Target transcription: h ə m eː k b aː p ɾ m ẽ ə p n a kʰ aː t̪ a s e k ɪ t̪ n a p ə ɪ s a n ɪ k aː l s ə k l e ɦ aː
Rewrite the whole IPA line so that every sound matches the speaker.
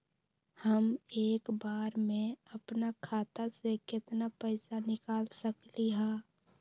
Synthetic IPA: h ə m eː k b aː ɾ m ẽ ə p n a kʰ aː t̪ a s e k ɪ t̪ n a p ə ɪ s a n ɪ k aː l s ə k l i ɦ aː